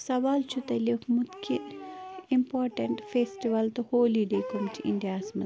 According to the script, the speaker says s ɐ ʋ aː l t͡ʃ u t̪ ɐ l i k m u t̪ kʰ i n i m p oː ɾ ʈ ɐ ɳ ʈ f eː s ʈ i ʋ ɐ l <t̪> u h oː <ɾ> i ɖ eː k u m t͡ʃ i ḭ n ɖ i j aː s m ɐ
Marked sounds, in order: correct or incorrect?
correct, incorrect

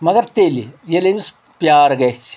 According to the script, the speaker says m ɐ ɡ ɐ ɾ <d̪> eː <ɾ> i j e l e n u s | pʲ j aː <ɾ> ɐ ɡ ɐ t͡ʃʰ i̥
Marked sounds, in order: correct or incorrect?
incorrect, incorrect, correct

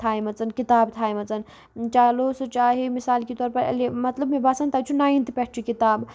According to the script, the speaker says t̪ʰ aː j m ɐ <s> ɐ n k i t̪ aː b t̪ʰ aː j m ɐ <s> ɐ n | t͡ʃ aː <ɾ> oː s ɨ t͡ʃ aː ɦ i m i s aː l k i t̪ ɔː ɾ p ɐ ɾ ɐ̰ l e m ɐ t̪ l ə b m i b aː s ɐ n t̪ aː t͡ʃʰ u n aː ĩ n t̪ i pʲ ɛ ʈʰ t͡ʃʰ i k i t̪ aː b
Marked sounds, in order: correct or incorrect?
incorrect, incorrect, incorrect

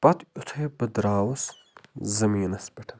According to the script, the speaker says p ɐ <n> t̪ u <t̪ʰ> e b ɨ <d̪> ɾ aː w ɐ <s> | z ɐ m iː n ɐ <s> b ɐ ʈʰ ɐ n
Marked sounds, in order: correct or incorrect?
incorrect, correct, correct, correct, correct

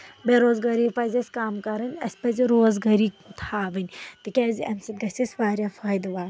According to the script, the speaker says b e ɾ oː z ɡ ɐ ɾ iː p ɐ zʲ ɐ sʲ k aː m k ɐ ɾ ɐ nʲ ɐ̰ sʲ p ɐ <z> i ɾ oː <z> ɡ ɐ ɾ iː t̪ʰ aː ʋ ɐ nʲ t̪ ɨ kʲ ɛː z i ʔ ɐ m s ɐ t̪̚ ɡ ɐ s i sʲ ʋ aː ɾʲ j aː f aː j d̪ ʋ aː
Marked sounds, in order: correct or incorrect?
correct, correct

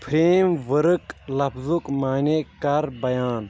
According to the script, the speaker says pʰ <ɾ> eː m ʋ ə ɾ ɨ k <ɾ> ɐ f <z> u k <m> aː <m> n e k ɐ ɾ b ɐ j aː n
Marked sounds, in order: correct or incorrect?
correct, incorrect, correct, correct, incorrect

